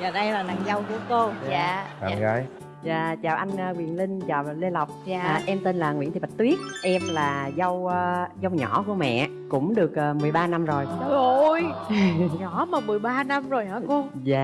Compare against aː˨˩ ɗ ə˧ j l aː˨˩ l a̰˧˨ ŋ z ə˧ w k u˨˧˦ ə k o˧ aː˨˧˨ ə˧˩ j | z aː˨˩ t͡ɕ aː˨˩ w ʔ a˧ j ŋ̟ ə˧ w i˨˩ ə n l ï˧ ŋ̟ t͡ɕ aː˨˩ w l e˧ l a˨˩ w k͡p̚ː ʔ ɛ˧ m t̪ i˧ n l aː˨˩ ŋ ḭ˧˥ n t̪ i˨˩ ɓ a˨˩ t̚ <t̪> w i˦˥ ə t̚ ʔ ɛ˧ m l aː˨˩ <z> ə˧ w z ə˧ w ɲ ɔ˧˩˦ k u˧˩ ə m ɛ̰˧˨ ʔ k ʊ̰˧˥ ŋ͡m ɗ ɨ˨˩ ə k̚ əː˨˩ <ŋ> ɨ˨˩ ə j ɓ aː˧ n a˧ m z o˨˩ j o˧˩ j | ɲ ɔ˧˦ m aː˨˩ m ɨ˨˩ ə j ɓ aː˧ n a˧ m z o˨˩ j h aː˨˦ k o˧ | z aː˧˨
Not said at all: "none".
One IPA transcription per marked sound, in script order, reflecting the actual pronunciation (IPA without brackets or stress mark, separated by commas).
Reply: t̪, z, m